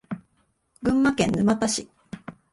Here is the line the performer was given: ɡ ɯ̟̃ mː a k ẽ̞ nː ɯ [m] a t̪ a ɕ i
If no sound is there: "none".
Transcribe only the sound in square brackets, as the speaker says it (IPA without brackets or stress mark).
m